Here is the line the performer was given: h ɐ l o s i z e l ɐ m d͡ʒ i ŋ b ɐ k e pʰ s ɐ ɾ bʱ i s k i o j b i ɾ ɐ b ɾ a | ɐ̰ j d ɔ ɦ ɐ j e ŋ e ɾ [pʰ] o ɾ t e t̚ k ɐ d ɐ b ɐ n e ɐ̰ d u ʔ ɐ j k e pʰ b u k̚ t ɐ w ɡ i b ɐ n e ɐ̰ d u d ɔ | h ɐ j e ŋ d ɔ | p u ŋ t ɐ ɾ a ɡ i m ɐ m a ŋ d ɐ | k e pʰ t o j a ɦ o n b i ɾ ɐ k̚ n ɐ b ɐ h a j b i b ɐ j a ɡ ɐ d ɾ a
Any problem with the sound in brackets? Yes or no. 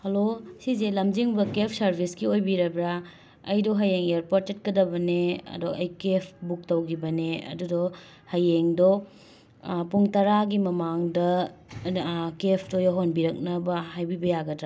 yes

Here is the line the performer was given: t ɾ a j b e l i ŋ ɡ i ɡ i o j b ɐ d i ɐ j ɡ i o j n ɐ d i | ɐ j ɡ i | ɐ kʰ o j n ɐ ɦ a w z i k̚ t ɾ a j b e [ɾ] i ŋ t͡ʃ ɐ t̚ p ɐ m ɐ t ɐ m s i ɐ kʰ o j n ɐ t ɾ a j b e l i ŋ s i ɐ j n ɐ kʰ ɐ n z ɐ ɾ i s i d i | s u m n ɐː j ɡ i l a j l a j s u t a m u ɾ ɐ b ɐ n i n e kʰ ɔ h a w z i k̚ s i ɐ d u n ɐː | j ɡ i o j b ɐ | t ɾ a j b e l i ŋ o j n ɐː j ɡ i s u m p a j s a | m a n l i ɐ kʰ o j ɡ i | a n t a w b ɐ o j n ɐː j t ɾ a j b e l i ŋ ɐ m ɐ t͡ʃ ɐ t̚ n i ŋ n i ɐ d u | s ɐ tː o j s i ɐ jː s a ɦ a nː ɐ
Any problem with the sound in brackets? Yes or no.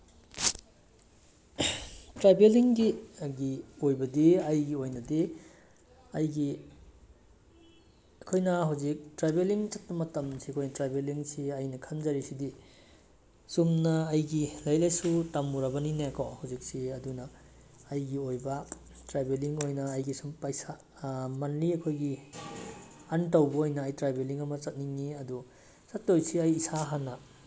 yes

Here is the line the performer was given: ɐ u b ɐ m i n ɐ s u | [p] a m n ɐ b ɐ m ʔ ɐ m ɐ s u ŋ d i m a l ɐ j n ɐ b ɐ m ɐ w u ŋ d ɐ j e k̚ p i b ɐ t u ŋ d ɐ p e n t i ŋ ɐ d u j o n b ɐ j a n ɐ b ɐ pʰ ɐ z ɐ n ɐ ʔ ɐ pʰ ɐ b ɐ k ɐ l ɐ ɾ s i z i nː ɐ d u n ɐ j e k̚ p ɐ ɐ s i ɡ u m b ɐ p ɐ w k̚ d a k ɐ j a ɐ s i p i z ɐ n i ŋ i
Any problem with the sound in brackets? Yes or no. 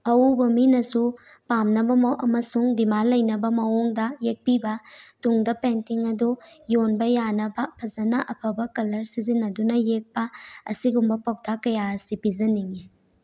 no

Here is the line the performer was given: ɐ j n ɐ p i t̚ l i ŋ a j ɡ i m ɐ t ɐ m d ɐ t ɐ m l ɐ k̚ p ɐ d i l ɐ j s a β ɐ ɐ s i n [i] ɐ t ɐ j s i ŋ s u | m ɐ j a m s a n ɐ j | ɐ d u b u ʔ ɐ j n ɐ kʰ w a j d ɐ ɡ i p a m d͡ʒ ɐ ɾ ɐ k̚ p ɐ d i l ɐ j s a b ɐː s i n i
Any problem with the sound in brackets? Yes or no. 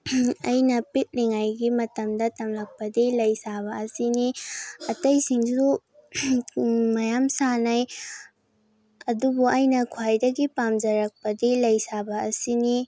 no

